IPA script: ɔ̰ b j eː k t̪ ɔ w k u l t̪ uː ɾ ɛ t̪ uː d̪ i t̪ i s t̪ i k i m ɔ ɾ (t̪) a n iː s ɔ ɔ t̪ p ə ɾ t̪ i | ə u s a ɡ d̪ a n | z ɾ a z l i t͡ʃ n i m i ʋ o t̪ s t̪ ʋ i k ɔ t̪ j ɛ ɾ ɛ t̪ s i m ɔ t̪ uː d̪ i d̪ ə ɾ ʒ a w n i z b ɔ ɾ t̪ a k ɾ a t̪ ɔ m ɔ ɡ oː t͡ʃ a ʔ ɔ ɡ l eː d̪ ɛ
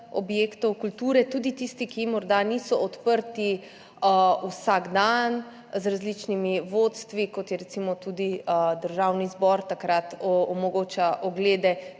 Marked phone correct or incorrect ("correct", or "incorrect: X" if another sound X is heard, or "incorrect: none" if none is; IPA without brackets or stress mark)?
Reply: incorrect: d̪